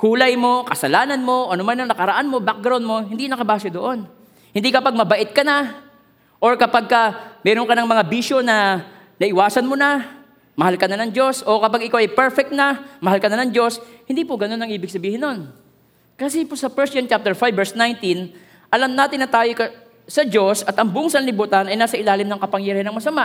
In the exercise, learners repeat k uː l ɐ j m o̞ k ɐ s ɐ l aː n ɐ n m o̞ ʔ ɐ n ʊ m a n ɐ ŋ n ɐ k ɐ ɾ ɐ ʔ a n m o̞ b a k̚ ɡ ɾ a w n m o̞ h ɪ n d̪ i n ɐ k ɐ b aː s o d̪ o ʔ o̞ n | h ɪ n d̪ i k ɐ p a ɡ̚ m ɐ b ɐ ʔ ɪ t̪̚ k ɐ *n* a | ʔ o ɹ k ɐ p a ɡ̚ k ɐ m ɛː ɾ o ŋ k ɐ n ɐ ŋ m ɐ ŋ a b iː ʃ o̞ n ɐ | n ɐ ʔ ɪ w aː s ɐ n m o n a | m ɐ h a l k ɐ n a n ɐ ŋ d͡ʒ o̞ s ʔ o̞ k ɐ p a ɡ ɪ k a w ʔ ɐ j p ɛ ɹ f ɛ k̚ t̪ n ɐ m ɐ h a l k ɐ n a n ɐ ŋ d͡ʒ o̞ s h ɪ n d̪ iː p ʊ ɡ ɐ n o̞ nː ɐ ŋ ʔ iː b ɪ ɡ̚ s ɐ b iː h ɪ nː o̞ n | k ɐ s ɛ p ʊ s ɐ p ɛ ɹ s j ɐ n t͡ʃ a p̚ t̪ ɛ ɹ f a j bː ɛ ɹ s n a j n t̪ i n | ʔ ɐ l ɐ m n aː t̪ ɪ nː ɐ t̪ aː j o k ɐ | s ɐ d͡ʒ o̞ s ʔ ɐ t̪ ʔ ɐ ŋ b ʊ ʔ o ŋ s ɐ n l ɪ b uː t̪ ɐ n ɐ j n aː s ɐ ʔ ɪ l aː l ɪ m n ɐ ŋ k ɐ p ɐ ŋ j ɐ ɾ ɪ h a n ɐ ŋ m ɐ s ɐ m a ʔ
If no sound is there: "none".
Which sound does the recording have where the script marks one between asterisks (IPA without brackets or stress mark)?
n